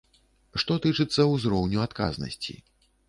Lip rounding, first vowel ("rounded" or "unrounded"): rounded